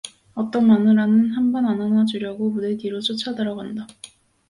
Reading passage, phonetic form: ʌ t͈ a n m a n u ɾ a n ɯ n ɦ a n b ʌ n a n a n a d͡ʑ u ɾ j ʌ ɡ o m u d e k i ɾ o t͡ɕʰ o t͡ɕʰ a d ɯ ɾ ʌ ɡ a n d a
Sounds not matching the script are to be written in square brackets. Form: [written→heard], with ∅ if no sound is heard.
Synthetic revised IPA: ʌ t͈ [a→ʌ] n m a n [u→ɯ] ɾ a n ɯ n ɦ a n b ʌ n a n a n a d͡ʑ u ɾ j ʌ ɡ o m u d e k i ɾ o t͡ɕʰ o t͡ɕʰ a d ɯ ɾ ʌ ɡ a n d a